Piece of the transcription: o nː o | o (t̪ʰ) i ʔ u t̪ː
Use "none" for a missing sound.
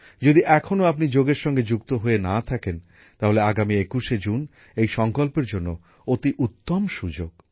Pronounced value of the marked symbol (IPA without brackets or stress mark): t̪